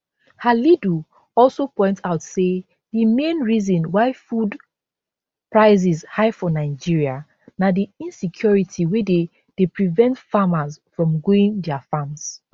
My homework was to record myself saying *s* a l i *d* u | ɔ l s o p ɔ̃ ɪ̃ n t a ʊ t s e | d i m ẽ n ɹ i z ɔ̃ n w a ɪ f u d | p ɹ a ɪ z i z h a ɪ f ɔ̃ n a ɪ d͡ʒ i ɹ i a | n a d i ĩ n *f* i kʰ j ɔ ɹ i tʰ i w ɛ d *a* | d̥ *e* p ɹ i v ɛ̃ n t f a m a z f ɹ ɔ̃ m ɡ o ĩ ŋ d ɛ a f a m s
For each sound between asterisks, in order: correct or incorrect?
incorrect, correct, incorrect, incorrect, correct

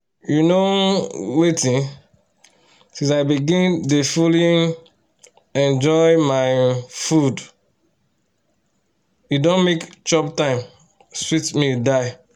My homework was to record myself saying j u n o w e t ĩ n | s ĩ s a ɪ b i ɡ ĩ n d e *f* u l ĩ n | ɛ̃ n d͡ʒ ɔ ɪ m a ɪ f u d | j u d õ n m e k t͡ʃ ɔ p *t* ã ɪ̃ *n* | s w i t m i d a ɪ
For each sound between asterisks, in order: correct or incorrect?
correct, correct, incorrect

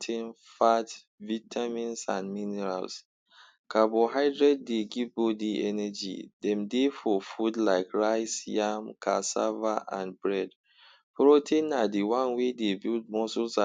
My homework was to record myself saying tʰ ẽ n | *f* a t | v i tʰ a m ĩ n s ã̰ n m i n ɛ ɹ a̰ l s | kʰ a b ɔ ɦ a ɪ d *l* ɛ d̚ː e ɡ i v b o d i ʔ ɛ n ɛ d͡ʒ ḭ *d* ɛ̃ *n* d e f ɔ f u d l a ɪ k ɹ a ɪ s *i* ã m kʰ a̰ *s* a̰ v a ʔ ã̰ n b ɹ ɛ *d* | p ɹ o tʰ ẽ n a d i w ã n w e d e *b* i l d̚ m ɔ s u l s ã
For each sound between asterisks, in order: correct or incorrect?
correct, incorrect, correct, incorrect, incorrect, correct, correct, correct

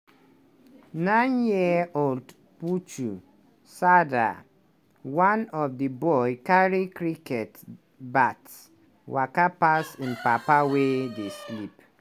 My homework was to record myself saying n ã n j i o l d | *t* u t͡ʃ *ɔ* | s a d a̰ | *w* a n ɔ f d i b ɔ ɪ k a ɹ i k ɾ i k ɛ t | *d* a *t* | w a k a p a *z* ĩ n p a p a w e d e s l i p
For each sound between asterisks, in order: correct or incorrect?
incorrect, incorrect, correct, incorrect, correct, incorrect

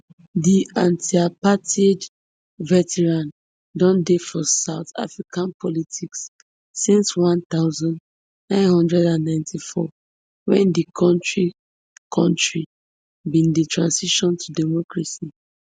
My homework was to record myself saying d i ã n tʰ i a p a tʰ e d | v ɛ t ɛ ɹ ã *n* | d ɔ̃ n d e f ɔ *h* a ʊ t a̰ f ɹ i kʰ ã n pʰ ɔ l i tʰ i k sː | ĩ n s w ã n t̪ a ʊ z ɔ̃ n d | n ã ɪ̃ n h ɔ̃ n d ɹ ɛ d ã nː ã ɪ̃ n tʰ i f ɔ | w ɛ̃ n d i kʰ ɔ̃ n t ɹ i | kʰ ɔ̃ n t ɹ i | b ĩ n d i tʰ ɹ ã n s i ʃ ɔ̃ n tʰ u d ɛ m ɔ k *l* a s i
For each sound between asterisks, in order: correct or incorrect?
correct, incorrect, incorrect

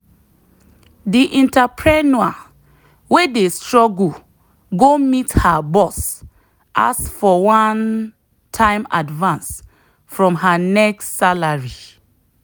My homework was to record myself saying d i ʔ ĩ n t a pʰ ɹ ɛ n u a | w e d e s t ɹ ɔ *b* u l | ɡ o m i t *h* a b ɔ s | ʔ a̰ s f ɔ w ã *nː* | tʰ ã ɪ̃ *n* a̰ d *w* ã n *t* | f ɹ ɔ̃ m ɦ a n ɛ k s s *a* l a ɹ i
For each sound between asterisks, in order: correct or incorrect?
incorrect, correct, incorrect, incorrect, incorrect, incorrect, correct

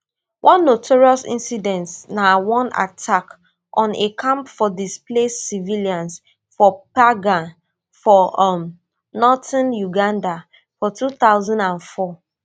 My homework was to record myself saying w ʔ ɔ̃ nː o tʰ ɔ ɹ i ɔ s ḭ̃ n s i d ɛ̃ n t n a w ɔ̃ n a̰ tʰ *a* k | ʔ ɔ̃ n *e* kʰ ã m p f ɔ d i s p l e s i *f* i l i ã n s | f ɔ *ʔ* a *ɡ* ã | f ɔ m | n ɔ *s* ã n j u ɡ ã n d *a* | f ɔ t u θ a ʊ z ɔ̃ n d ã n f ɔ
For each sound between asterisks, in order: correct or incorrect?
correct, correct, incorrect, incorrect, correct, incorrect, correct

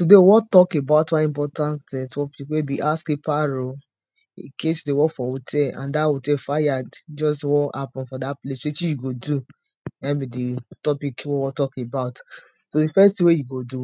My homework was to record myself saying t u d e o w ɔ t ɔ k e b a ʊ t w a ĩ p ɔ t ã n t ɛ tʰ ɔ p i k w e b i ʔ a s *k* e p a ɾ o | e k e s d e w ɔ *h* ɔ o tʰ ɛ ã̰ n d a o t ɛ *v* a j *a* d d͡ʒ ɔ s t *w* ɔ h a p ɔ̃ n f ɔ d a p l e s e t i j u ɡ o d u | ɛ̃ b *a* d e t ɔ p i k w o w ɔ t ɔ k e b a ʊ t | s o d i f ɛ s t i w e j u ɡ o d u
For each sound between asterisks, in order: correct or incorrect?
correct, incorrect, incorrect, correct, correct, incorrect

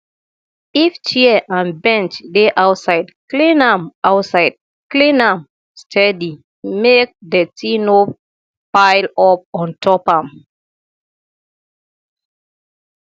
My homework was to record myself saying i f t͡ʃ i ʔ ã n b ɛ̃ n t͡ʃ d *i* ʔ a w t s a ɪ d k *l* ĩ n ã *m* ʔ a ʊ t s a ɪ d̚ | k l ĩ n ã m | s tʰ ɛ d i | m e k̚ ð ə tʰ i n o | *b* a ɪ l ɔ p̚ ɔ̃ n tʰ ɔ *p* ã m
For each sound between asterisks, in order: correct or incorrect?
incorrect, correct, correct, incorrect, correct

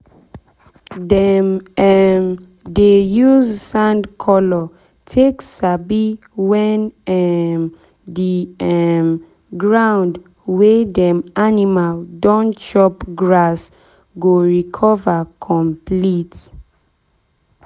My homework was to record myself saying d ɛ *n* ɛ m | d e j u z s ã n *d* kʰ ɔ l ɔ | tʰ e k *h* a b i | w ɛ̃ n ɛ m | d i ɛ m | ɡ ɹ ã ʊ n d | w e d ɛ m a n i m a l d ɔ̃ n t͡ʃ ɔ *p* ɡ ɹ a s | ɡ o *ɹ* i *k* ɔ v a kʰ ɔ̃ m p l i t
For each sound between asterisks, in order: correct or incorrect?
incorrect, correct, incorrect, correct, correct, incorrect

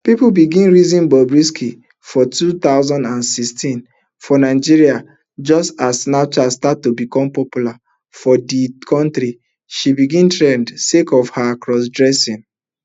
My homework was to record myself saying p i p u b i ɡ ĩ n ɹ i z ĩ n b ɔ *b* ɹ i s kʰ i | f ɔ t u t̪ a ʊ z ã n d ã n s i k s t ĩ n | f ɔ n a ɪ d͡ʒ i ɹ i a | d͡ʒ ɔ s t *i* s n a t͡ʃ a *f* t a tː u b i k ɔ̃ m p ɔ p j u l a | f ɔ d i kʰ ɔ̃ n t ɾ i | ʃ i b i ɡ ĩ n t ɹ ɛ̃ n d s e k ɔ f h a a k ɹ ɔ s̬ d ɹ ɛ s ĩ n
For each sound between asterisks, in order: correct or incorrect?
correct, incorrect, incorrect

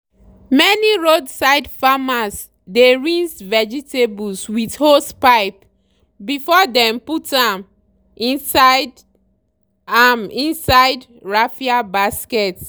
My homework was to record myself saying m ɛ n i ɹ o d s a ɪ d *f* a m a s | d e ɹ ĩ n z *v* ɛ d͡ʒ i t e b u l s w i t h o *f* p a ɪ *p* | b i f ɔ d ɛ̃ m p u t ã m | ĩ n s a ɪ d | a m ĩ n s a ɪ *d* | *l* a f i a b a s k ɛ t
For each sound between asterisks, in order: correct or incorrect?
correct, correct, incorrect, correct, correct, incorrect

